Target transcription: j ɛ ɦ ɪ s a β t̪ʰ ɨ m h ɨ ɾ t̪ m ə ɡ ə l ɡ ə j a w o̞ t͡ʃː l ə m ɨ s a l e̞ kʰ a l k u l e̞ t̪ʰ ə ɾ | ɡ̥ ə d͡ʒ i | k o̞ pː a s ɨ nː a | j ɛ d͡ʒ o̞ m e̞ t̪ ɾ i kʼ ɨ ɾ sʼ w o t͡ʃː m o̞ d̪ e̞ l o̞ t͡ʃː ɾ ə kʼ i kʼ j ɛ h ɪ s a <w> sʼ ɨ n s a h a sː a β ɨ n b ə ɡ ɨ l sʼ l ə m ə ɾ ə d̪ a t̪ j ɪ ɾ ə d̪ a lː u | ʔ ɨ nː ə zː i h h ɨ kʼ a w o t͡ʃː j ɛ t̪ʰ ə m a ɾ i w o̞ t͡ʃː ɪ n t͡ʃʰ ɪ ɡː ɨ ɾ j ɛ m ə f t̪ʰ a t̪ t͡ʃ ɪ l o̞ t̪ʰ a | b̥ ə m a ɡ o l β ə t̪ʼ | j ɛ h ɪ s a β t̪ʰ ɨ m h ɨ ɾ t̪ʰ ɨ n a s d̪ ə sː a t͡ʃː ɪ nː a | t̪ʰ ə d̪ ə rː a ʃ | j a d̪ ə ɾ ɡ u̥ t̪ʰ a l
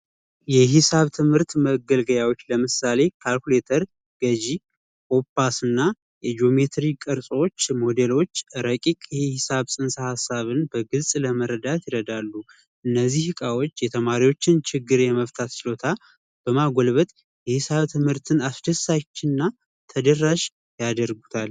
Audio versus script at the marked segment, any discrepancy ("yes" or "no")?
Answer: yes